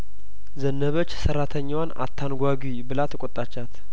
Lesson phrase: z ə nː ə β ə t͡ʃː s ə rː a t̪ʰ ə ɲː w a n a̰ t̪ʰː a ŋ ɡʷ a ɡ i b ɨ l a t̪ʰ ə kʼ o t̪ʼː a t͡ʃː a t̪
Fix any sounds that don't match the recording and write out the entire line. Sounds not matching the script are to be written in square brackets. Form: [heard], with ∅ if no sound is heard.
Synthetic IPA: z ə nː ə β ə t͡ʃː s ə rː a t̪ʰ ə ɲː w a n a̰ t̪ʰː a [n] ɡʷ a ɡ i b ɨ l a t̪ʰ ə kʼ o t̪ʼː a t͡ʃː a t̪